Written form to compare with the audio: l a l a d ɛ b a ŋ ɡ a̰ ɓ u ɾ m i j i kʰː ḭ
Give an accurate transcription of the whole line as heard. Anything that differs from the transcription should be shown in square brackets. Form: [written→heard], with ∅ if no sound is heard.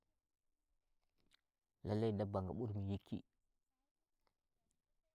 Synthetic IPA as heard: l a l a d [ɛ→a] b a ŋ ɡ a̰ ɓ u ɾ m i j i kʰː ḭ